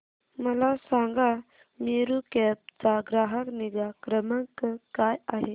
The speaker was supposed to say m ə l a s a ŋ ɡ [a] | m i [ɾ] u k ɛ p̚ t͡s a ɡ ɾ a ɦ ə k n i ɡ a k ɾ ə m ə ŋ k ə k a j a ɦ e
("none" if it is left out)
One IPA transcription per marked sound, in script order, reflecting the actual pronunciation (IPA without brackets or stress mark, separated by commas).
a, ɾ